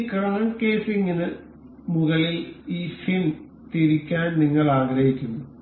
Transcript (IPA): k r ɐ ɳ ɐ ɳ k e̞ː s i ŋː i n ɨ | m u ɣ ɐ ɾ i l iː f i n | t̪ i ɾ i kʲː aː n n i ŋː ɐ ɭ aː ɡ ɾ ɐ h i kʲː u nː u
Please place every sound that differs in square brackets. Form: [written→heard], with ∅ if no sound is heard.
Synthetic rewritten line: k r ɐ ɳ ɐ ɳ k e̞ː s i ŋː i n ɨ | m u ɣ ɐ [ɾ→ɭ] i l iː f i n | t̪ i ɾ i kʲː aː n n i ŋː ɐ ɭ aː ɡ ɾ ɐ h i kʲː u nː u